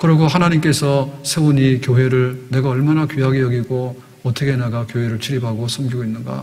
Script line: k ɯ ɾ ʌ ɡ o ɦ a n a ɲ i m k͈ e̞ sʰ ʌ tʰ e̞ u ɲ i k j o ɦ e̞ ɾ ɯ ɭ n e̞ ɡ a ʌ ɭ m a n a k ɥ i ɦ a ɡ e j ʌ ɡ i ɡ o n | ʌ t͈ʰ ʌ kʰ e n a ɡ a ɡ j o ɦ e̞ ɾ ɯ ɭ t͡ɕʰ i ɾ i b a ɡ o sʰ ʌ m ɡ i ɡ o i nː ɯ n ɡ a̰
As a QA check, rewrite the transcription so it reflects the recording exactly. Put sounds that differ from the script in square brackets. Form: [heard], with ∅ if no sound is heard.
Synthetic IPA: k ɯ ɾ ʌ ɡ o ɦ a n a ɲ i m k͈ e̞ sʰ ʌ [sʰ] e̞ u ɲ i k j o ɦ e̞ ɾ ɯ ɭ n e̞ ɡ a ʌ ɭ m a n a k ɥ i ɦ a ɡ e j ʌ ɡ i ɡ o [∅] | ʌ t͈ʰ ʌ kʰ e n a ɡ a [k] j o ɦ e̞ ɾ ɯ ɭ t͡ɕʰ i ɾ i b a ɡ o sʰ ʌ m ɡ i ɡ o i nː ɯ n ɡ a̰